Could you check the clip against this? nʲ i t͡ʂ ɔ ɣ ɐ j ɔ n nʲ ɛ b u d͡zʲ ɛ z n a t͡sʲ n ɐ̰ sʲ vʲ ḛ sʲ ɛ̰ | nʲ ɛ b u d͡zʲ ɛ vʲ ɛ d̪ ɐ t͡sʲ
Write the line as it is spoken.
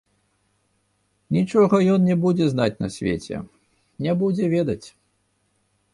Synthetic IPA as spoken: nʲ i t͡ʂ ɔ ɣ ɐ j ɔ n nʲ ɛ b u d͡zʲ ɛ z n a t͡sʲ n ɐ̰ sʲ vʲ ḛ t͡sʲ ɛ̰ | nʲ ɛ b u d͡zʲ ɛ vʲ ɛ d̪ ɐ t͡sʲ